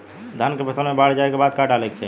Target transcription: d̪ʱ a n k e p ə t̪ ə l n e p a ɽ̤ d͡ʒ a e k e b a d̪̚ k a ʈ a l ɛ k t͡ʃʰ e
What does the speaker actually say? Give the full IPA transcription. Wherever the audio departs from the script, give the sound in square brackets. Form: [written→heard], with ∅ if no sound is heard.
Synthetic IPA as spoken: d̪ʱ a n k e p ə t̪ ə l [n→m] e [p→b] a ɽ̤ d͡ʒ a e k e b a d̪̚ k a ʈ a l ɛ k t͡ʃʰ [e→ɛ]